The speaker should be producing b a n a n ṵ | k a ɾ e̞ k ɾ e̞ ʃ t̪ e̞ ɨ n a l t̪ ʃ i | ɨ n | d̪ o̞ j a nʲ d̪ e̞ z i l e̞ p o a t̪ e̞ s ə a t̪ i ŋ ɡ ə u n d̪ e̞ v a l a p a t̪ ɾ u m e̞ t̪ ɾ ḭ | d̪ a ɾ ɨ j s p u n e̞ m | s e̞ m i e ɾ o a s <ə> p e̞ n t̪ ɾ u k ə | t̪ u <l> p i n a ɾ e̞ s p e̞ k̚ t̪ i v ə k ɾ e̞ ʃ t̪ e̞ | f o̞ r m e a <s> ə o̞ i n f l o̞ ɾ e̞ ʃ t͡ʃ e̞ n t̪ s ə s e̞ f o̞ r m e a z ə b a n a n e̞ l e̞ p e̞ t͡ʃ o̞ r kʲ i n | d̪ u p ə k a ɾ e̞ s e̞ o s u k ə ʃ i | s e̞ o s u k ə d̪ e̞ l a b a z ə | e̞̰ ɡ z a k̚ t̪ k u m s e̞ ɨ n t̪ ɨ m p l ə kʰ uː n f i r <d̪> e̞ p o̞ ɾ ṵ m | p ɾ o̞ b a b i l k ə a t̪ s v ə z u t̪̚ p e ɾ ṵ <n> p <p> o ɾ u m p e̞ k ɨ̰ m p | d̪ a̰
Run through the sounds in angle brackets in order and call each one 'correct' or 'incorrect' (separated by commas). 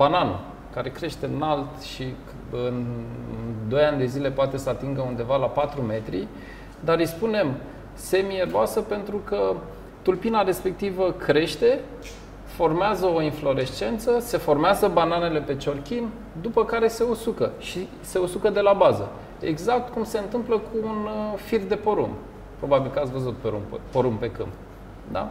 correct, correct, incorrect, correct, incorrect, correct